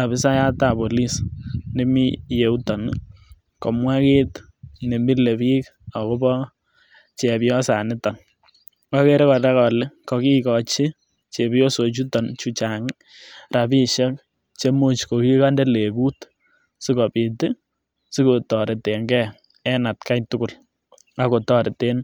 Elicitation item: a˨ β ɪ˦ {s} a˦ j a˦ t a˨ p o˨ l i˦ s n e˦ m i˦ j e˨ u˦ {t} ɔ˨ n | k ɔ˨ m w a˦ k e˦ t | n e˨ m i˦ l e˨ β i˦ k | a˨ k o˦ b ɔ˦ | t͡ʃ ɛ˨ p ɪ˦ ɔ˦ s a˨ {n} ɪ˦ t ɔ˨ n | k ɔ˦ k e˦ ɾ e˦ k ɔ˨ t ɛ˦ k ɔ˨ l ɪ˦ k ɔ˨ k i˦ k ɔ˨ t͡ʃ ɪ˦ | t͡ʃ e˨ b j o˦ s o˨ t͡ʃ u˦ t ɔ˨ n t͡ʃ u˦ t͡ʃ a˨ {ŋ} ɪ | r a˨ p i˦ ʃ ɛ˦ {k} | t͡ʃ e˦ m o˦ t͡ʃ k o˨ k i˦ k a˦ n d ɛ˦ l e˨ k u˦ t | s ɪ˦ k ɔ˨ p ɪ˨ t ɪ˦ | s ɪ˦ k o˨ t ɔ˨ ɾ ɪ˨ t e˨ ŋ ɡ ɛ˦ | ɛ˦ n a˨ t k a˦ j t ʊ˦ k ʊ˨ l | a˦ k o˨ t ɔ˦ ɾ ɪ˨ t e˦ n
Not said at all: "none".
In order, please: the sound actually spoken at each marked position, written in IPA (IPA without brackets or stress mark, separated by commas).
s, t, n, ŋ, k